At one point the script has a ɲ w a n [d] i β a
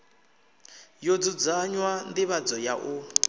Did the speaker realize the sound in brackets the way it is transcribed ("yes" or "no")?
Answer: yes